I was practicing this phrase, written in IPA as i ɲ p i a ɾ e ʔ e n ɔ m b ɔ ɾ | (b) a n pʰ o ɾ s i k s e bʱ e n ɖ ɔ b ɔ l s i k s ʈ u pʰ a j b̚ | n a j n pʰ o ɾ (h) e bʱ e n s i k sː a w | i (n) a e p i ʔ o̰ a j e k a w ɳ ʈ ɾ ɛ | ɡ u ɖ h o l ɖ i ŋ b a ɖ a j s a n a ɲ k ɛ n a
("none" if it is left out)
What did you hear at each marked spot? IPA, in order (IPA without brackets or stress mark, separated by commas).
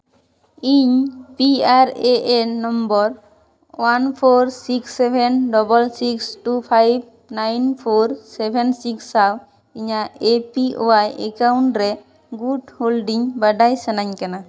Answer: w, s, ɲ